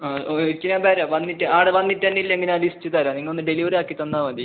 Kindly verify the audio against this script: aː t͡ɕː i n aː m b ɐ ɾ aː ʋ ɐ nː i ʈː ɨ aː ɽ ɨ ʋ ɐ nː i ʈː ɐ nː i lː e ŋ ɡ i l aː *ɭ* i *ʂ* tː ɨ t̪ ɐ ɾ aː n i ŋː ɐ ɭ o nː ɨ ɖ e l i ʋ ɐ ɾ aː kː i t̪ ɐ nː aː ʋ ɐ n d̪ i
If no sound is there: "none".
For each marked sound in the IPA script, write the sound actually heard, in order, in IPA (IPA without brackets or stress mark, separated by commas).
l, s